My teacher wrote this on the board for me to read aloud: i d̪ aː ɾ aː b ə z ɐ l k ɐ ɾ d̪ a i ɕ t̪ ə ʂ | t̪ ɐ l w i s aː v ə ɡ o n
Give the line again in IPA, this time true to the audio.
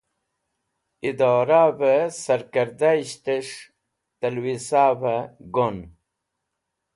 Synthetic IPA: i d̪ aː ɾ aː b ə s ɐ ɾ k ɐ ɾ d̪ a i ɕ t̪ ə ʂ | t̪ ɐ l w i s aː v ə ɡ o n